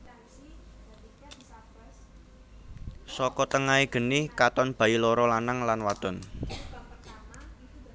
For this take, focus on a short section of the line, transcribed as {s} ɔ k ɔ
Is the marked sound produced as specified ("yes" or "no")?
yes